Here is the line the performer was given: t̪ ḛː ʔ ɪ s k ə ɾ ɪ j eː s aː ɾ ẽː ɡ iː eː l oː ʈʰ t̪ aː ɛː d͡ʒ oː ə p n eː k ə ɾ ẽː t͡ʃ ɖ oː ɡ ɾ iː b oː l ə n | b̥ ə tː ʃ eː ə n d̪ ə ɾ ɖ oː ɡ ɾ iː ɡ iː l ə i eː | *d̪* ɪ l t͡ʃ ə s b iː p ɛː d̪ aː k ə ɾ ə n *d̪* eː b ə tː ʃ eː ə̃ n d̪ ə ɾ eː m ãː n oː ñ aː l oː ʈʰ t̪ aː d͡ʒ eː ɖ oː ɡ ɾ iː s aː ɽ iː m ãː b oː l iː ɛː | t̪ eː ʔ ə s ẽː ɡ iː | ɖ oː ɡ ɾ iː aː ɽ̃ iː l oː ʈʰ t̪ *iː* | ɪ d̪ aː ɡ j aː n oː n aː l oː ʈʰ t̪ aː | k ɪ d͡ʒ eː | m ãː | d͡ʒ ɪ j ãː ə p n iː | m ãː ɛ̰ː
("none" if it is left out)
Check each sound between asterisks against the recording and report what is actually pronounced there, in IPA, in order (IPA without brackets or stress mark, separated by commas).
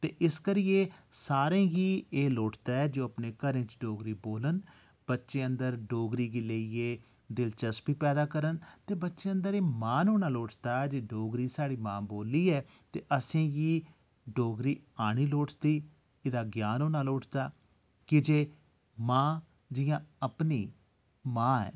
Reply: d̪, t̪, iː